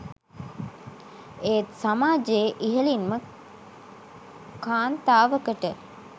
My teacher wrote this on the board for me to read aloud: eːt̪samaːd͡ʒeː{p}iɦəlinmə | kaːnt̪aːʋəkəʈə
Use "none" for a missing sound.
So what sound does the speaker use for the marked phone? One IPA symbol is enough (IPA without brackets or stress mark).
ʔ